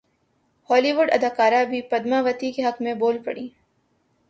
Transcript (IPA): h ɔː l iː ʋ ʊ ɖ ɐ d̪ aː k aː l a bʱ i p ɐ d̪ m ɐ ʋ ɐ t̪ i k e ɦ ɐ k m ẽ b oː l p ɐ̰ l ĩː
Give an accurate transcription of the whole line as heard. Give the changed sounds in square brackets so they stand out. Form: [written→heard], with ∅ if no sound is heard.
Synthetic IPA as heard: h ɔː l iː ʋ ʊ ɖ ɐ d̪ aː k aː [l→ɾ] a bʱ i p ɐ d̪ m [ɐ→a] ʋ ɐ t̪ i k e ɦ ɐ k m ẽ b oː l p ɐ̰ [l→ɽ] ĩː